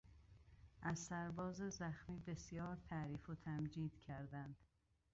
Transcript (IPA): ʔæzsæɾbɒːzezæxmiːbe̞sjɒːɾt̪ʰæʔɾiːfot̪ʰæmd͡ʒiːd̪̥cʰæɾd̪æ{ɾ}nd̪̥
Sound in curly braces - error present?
yes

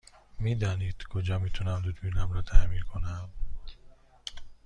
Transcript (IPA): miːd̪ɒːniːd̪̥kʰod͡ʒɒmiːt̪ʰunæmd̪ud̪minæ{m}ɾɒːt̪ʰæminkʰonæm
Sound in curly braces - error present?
no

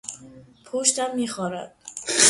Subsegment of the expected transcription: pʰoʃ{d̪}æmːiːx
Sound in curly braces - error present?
yes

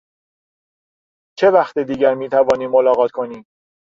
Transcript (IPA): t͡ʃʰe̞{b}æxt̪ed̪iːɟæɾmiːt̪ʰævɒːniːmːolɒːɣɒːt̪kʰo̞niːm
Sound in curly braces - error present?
yes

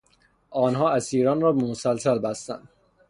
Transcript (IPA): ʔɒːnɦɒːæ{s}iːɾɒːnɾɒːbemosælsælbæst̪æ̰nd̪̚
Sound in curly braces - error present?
no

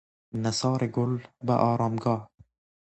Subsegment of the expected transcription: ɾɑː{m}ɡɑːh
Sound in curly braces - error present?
no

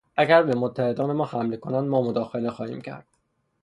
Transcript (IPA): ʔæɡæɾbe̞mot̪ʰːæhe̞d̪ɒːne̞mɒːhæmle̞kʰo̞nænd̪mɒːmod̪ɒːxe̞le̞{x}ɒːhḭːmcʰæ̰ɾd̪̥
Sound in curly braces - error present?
no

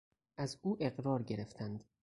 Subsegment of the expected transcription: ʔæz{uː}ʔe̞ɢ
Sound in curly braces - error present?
no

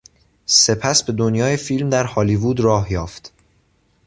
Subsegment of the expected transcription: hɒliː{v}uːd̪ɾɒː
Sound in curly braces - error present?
no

